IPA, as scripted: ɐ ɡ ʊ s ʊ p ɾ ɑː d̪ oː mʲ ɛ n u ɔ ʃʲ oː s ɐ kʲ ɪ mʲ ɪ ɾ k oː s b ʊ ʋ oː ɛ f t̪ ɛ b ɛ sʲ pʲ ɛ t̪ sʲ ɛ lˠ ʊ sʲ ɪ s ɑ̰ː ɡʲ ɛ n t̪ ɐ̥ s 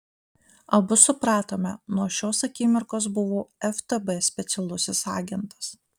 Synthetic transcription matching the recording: ɐ b ʊ s ʊ p ɾ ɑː t̪ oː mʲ ɛ n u ɔ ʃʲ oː s ɐ kʲ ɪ mʲ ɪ ɾ k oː s b ʊ ʋ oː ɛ f t̪ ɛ b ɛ sʲ pʲ ɛ t̪ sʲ ɛ lˠ ʊ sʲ ɪ s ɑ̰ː ɡʲ ɛ n t̪ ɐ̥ s